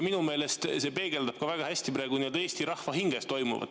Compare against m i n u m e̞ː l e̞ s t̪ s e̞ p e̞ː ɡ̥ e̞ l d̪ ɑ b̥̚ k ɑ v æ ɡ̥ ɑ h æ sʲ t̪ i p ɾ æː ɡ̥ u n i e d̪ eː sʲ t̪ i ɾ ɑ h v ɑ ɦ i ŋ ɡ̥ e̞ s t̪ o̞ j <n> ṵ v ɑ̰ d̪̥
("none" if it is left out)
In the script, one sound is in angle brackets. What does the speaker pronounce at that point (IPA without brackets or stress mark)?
m